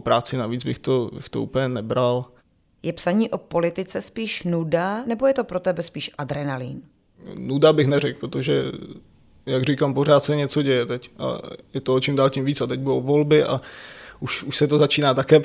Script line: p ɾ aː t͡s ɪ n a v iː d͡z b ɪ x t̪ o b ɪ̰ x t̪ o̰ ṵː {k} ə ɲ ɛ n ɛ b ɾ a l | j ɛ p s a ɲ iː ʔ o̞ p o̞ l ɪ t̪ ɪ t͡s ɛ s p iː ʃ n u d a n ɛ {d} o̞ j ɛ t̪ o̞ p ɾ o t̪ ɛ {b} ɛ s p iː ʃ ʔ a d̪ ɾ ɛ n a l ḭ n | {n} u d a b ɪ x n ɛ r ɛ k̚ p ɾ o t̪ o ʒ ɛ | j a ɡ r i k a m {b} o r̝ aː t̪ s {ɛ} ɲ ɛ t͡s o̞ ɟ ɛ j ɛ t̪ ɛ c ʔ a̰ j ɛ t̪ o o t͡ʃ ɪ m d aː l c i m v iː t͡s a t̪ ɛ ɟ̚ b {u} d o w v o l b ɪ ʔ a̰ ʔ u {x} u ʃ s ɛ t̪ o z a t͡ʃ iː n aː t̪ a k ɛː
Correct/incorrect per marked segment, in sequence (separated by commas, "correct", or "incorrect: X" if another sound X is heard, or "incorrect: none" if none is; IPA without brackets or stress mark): incorrect: p, incorrect: b, correct, correct, incorrect: p, correct, correct, incorrect: ʃ